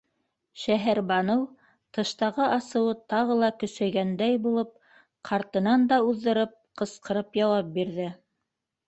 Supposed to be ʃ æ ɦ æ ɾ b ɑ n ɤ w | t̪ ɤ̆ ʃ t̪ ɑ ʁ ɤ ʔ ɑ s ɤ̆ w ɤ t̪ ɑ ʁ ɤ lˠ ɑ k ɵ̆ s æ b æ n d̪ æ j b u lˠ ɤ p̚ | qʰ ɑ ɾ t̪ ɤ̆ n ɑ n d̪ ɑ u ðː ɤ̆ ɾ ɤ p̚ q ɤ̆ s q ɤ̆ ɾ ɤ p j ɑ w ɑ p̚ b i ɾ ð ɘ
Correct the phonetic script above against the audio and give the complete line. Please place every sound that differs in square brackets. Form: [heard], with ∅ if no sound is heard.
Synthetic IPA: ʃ æ ɦ æ ɾ b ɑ n ɤ w | t̪ ɤ̆ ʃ t̪ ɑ ʁ ɤ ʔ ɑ s ɤ̆ w ɤ t̪ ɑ ʁ ɤ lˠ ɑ k ɵ̆ s æ [ɡ] æ n d̪ æ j b u lˠ ɤ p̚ | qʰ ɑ ɾ t̪ ɤ̆ n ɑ n d̪ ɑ u ðː ɤ̆ ɾ ɤ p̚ q ɤ̆ s q ɤ̆ ɾ ɤ p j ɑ w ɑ p̚ b i ɾ ð ɘ